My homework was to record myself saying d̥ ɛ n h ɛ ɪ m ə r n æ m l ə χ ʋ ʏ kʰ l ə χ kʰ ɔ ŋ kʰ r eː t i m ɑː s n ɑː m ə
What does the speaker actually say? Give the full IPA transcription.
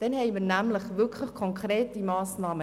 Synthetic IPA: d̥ ɛ n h ɛ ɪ m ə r n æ m l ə χ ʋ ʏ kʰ l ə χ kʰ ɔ ŋ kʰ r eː t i m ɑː s n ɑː m ə

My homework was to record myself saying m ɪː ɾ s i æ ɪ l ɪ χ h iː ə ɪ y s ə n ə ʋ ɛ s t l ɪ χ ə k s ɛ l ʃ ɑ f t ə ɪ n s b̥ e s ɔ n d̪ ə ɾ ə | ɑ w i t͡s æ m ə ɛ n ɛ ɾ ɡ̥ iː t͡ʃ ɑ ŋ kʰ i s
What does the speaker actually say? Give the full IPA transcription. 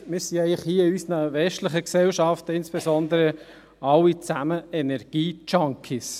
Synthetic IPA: m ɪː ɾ s i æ ɪ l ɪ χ h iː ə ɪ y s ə n ə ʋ ɛ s t l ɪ χ ə k s ɛ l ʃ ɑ f t ə ɪ n s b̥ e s ɔ n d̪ ə ɾ ə | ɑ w i t͡s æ m ə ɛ n ɛ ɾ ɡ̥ iː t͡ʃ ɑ ŋ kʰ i s

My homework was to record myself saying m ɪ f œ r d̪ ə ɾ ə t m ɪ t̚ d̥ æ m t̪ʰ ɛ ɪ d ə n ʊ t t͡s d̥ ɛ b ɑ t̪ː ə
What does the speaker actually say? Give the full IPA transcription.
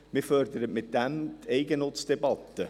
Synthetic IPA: m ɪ f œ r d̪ ə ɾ ə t m ɪ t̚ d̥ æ m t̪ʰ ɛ ɪ ɡ ə n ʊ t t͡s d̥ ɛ b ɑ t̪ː ə

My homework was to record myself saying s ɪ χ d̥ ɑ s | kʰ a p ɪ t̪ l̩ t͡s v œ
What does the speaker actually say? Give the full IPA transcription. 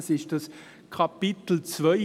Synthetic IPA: s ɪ ʃ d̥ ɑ s | kʰ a p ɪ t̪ l̩ t͡s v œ

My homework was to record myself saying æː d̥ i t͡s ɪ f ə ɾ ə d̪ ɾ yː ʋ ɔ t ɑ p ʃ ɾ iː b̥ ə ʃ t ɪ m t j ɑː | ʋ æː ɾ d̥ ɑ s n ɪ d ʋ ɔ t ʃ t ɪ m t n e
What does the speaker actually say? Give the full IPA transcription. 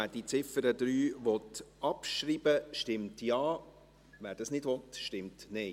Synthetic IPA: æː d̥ i t͡s ɪ f ə ɾ ə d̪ ɾ yː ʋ ɔ t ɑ p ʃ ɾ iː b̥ ə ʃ t ɪ m t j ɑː | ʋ æː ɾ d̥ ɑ s n ɪ d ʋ ɔ t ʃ t ɪ m t n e

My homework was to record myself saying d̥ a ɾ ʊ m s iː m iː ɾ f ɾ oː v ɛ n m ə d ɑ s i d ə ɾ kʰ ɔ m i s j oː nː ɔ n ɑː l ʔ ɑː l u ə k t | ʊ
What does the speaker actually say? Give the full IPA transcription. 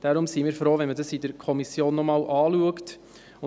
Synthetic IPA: d̥ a ɾ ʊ m s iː m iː ɾ f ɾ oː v ɛ n m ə d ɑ s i d ə ɾ kʰ ɔ m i s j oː nː ɔ m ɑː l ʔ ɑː l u ə k t | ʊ

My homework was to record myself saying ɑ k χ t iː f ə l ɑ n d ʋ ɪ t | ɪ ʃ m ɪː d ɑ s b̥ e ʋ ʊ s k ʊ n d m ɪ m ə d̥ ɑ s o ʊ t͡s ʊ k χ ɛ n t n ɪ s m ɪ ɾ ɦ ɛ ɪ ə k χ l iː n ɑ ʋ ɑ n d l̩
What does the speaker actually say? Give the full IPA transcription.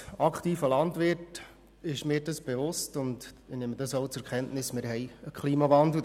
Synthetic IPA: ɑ k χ t iː f ə l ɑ n d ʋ ɪ t | ɪ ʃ m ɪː d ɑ s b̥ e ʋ ʊ s t ʊ n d n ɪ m ə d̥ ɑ s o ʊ t͡s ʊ k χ ɛ n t n ɪ s m ɪ ɾ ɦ ɛ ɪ ə k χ l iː m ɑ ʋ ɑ n d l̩

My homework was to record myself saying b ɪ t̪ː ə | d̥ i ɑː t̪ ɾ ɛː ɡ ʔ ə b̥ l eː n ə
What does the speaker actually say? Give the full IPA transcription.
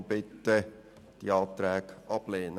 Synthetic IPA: b ɪ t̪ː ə | d̥ i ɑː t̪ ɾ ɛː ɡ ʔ ɑ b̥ l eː n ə

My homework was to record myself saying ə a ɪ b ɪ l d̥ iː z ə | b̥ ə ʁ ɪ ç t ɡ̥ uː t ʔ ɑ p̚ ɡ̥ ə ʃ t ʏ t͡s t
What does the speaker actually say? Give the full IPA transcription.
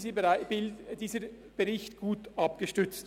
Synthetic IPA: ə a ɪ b ɪ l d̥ iː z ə | b̥ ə ʁ ɪ ç t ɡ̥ uː t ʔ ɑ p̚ ɡ̥ ə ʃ t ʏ t͡s t

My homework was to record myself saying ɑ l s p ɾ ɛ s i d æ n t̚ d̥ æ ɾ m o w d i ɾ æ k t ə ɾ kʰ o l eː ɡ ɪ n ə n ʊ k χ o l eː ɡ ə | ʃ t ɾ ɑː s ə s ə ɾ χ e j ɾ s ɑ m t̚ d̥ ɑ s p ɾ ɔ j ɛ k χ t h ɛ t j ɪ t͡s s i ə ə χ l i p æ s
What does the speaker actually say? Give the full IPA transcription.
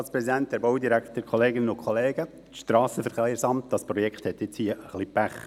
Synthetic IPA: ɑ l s p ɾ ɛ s i d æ n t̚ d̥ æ ɾ b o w d i ɾ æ k t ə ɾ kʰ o l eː ɡ ɪ n ə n ʊ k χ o l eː ɡ ə | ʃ t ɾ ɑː s ə f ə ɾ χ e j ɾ s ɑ m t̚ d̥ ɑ s p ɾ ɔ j ɛ k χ t h ɛ t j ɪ t͡s h i ə ə χ l i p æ χ

